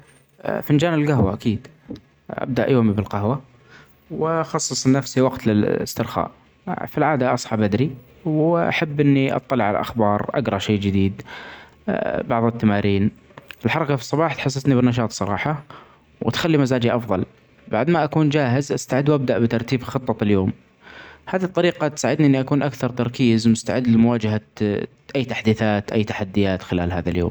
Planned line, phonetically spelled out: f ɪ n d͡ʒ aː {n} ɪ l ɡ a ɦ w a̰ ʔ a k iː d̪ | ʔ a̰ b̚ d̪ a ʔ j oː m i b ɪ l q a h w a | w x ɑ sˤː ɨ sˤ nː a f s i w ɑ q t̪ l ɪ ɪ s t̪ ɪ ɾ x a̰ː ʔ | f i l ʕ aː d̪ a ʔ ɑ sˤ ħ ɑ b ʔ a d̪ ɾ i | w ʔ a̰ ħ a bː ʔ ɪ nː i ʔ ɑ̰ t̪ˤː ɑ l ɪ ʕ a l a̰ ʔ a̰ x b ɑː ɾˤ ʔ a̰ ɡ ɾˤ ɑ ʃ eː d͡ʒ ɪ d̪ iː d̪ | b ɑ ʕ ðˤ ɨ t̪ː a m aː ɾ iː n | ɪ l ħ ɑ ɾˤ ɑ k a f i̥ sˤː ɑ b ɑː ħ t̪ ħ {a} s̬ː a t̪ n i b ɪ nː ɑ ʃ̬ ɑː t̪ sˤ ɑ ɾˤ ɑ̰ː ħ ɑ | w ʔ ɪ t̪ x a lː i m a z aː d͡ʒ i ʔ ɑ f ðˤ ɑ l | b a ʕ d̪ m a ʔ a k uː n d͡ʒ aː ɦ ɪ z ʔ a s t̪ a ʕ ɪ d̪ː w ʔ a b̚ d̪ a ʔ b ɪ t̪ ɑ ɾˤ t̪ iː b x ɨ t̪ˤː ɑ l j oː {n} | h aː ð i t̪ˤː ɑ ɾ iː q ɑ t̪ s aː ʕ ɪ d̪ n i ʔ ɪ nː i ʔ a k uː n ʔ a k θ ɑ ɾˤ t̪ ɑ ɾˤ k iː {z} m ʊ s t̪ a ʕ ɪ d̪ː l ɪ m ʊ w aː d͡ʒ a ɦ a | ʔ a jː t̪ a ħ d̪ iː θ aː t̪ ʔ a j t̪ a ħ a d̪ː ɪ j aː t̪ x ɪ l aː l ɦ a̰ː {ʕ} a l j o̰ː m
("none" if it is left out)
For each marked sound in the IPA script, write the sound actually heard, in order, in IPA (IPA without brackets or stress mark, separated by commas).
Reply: n, a, m, z, ð